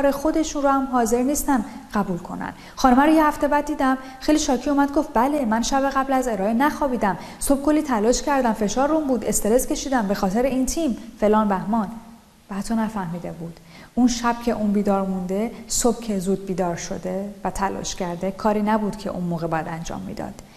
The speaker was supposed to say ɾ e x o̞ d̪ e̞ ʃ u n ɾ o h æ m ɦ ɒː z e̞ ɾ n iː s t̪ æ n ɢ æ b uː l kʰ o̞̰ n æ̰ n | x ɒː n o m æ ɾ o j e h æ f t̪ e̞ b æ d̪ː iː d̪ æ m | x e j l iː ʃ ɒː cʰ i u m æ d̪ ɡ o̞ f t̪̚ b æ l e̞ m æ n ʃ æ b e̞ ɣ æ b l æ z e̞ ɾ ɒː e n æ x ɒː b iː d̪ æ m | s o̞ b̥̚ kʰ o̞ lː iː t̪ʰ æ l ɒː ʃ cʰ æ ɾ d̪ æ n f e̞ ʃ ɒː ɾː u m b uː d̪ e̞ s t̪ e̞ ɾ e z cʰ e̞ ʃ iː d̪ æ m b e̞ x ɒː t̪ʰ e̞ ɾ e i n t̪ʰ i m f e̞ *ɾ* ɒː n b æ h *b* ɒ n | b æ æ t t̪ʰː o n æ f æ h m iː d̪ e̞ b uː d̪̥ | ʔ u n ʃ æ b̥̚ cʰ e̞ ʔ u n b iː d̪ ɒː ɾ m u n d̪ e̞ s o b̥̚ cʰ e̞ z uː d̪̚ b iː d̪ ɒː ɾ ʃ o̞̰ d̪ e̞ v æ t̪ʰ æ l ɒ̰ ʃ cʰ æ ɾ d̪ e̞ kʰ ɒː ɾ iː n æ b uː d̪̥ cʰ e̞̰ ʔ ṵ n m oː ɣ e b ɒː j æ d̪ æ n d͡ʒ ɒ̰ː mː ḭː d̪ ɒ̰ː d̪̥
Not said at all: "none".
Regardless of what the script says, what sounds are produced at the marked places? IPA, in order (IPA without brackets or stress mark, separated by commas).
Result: l, m